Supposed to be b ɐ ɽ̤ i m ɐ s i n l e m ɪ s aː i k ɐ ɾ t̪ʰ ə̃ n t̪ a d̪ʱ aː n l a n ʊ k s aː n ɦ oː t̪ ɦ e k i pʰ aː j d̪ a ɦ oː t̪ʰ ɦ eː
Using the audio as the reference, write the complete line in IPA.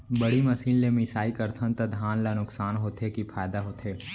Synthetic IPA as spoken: b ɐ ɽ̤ i m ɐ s iː n l e m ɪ s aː i k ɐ ɾ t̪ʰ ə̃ n t̪ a d̪ʱ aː n l a n ʊ k s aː n ɦ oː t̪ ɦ e k i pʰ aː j d̪ a ɦ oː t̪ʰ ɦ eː